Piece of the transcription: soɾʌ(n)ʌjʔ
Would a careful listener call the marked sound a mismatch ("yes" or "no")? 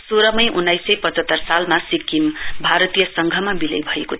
yes